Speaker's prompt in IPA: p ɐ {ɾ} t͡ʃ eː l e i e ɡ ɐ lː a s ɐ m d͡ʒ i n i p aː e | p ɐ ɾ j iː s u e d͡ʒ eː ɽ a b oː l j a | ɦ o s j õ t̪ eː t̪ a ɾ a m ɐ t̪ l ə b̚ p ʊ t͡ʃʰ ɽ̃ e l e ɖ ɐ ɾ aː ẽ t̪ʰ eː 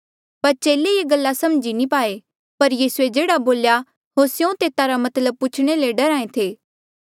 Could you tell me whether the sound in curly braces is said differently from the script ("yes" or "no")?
no